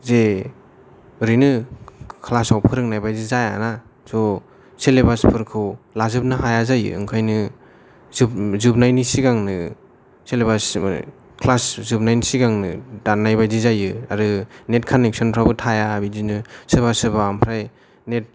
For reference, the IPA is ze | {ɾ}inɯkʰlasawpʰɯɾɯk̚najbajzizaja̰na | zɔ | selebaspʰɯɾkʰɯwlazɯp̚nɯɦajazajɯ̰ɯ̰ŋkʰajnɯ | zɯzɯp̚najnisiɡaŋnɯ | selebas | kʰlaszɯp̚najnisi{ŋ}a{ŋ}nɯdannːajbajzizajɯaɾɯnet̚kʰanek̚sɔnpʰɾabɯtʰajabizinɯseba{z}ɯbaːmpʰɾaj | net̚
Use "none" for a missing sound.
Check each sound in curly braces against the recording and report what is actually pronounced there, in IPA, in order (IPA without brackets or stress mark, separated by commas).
ɾ, ɡ, ŋ, s